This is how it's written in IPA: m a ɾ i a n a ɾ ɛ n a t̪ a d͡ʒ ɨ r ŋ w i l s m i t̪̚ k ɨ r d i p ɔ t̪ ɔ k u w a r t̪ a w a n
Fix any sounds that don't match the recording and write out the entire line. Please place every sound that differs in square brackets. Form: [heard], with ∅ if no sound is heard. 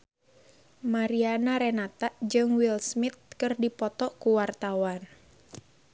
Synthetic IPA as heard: m a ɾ i a n a ɾ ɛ n a t̪ a d͡ʒ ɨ [∅] ŋ w i l s m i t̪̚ k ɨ r d i p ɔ t̪ ɔ k u w a r t̪ a w a n

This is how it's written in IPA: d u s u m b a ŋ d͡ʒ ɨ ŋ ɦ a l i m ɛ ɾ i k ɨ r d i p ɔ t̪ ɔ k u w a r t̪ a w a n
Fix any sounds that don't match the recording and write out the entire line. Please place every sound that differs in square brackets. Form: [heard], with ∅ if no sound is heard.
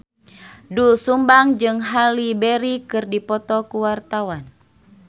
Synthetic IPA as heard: d u s u m b a ŋ d͡ʒ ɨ ŋ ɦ a l i [b] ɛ ɾ i k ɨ r d i p ɔ t̪ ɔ k u w a r t̪ a w a n

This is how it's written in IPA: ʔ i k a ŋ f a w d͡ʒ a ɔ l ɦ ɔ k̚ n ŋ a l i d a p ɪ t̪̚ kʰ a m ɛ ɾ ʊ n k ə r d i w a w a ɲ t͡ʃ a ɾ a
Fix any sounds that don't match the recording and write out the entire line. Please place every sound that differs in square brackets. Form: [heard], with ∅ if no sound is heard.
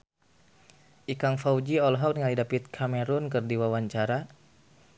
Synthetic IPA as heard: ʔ i k a ŋ f a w d͡ʒ [i] ɔ l ɦ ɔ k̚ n ŋ a l i d a p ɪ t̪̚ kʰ a m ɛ ɾ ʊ n k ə r d i w a w a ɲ t͡ʃ a ɾ a

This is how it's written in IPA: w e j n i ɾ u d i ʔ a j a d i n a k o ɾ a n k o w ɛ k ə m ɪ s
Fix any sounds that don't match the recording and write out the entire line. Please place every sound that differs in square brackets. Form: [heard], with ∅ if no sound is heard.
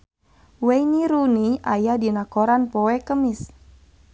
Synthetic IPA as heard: w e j n i ɾ u [n] i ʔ a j a d i n a k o ɾ a n [p] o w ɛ k ə m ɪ s

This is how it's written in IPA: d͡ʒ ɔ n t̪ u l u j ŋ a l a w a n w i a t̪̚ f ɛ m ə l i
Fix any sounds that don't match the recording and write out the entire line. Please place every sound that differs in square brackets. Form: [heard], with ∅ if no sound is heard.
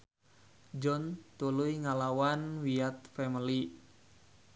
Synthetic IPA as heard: d͡ʒ ɔ n t̪ u l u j ŋ a l a w a n w i a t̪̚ f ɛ m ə l i

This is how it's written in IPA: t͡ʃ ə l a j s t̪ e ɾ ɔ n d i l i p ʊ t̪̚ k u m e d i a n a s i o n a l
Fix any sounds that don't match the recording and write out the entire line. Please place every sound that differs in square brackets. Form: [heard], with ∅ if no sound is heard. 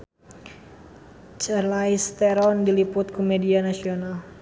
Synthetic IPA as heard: t͡ʃ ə l a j s t̪ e ɾ ɔ n d i l i p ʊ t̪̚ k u m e d i a n a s i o n a l

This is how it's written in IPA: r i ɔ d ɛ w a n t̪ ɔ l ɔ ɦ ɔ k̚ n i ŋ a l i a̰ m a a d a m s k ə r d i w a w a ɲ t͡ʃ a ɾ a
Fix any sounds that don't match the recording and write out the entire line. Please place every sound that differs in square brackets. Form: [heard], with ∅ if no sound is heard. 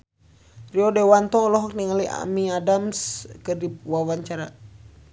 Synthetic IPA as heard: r i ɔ d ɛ w a n t̪ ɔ l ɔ ɦ ɔ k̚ n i ŋ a l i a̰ m [i] a d a m s k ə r d i w a w a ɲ t͡ʃ a ɾ a

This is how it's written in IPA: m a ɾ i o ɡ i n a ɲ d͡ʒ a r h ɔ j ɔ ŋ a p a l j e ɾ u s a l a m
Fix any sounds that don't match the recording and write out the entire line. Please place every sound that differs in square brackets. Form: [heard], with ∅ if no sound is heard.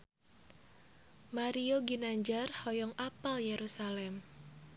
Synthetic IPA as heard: m a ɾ i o ɡ i n a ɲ d͡ʒ a r h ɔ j ɔ ŋ a p a l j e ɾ u s a l [ɛ] m

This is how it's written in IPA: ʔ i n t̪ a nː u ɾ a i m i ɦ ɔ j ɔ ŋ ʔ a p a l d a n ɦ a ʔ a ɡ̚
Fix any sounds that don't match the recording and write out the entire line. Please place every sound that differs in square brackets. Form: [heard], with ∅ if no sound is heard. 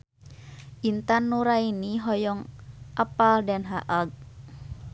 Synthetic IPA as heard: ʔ i n t̪ a nː u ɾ a i [n] i ɦ ɔ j ɔ ŋ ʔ a p a l d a n ɦ a ʔ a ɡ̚

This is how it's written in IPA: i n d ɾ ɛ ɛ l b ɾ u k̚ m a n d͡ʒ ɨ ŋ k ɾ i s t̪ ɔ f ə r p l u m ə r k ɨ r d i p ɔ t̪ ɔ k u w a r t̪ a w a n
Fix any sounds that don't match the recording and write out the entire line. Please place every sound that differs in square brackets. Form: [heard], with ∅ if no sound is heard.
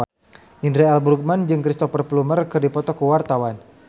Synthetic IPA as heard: i n d ɾ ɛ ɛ l b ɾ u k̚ m a n d͡ʒ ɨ ŋ k ɾ i s t̪ ɔ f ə r p l u m ə r k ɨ r d i p ɔ t̪ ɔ k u w a r t̪ a w a n

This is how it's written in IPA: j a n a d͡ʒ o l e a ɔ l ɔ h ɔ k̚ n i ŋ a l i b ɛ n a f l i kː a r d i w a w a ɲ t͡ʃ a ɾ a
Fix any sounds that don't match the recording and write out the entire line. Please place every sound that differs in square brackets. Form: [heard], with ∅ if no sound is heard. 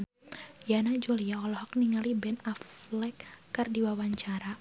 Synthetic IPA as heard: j a n a d͡ʒ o l [i] a ɔ l ɔ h ɔ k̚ n i ŋ a l i b ɛ n a f l [ɛ] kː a r d i w a w a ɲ t͡ʃ a ɾ a

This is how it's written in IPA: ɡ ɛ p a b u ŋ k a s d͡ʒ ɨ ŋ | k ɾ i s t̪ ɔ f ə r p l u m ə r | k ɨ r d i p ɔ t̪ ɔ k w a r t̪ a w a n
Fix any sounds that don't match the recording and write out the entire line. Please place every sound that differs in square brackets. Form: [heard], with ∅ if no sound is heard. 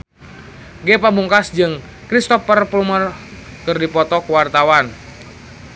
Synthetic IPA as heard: ɡ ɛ p a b u ŋ k a s d͡ʒ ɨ ŋ | k ɾ i s t̪ ɔ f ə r p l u m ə r | k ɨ r d i p ɔ t̪ ɔ k w a r t̪ a w a n

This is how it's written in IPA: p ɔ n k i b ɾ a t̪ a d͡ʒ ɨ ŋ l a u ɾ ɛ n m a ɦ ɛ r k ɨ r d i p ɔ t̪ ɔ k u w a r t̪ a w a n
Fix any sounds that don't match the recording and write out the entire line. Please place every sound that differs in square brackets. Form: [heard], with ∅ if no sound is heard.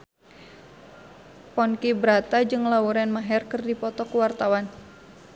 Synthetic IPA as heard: p ɔ n k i b ɾ a t̪ a d͡ʒ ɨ ŋ l a u ɾ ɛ n m a ɦ ɛ r k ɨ r d i p ɔ t̪ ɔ k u w a r t̪ a w a n

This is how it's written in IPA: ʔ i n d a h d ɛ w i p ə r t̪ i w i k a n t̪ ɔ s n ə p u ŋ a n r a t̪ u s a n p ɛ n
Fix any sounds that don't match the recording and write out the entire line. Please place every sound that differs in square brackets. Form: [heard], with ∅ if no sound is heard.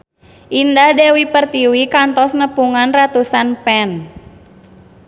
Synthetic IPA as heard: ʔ i n d a h d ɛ w i p ə r t̪ i w i k a n t̪ ɔ s n ə p u ŋ a n r a t̪ u s a n p ɛ n

